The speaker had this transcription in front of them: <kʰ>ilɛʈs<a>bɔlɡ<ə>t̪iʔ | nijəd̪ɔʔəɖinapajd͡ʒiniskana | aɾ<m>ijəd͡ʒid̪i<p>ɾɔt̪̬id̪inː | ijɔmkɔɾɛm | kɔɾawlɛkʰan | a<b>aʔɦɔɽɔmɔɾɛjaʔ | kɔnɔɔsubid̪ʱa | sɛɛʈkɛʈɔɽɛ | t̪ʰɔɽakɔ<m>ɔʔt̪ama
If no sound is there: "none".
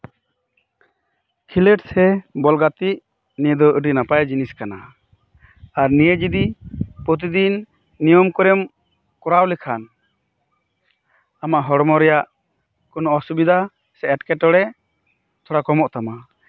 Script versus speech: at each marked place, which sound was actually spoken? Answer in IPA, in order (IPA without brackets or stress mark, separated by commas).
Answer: kʰ, ɛ, a, n, p, m, m